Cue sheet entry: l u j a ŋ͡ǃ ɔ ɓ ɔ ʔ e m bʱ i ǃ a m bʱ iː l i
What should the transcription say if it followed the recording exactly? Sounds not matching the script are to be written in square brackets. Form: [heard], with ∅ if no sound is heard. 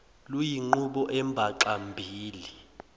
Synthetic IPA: l u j [i] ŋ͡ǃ [u] ɓ ɔ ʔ [ɛ] m bʱ [a] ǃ a m bʱ iː l i

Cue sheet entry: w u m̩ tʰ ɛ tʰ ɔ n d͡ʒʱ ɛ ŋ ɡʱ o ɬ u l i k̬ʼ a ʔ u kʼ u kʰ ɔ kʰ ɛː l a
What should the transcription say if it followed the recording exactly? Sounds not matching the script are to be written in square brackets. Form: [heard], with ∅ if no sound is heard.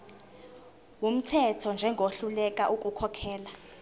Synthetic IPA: w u m̩ tʰ ɛ tʰ ɔ n d͡ʒʱ ɛ ŋ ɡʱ o ɬ u l [ɛ] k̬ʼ a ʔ u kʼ u kʰ ɔ kʰ ɛː l a

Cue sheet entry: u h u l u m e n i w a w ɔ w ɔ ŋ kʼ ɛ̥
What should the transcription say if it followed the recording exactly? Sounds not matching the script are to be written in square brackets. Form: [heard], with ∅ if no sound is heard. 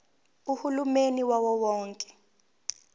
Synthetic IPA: u h u l u m e n i w a w ɔ w [ɔː] ŋ kʼ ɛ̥

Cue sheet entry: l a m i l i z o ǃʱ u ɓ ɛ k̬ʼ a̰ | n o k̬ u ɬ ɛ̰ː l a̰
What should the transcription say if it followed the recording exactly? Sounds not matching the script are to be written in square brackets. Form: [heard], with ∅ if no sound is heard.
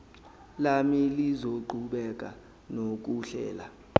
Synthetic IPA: l a m i l i z o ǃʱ u ɓ ɛ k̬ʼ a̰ | n o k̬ u ɬ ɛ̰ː l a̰

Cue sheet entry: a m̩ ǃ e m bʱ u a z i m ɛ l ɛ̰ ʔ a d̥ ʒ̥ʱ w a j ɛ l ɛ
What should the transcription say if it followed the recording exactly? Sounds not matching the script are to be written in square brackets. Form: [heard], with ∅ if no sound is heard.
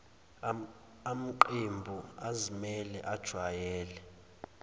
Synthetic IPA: a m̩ ǃ e m bʱ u a z i m ɛ l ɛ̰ ʔ a d̥ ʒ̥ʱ w a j [ɛː] l ɛ

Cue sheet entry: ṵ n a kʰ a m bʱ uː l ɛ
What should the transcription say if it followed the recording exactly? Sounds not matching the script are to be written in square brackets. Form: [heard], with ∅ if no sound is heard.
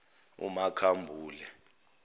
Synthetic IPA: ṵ [m] a kʰ a m bʱ uː l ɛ

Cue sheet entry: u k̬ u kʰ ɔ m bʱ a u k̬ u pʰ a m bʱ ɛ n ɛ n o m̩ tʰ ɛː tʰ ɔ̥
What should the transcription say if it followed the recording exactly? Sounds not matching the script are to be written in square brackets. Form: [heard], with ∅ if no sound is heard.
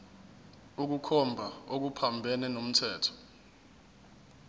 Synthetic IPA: u k̬ u kʰ ɔ m bʱ a [o] k̬ u pʰ a m bʱ ɛ n ɛ n o m̩ tʰ ɛː tʰ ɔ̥

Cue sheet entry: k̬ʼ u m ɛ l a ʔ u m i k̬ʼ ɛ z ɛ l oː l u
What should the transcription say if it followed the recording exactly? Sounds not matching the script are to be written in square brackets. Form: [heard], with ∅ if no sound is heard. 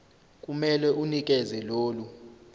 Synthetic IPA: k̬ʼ u m ɛ l [ɛ] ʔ u [n] i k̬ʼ ɛ z ɛ l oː l u

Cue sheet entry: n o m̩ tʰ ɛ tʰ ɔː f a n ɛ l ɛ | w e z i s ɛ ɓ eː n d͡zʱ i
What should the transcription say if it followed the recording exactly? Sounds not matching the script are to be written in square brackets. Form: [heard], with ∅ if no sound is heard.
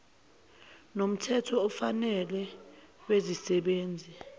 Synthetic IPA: n o m̩ tʰ ɛ tʰ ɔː f a n ɛ l ɛ | w e z i s ɛ ɓ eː n d͡zʱ i

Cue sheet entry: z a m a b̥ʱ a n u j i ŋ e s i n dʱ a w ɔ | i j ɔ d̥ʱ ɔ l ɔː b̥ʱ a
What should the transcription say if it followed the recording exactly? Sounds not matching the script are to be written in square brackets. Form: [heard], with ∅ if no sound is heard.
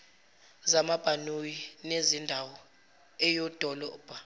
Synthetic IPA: z a m a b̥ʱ a n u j i [n] e [z] i n dʱ a w ɔ | [ɛ] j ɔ d̥ʱ ɔ l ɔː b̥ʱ a

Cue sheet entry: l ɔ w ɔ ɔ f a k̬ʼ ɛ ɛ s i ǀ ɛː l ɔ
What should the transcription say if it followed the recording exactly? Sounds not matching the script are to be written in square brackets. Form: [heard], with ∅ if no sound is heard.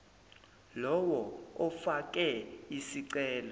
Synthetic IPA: l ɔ w ɔ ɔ f a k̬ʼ ɛ [i] s i ǀ ɛː l ɔ

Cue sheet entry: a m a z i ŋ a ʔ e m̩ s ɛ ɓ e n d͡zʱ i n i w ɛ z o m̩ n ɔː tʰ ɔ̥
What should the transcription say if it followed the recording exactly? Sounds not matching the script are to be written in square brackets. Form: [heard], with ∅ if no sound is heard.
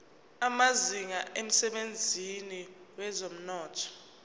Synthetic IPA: a m a z i ŋ a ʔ e m̩ s ɛ ɓ e n d͡zʱ i n i w ɛ z o m̩ n ɔː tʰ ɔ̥

